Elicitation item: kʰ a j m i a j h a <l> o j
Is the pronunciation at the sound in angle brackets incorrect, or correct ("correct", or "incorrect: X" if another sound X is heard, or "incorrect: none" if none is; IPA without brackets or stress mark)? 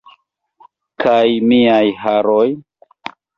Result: incorrect: ɾ